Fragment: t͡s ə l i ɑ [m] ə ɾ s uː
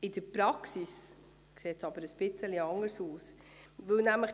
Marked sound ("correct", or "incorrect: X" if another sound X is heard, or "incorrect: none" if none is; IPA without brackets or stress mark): incorrect: ŋ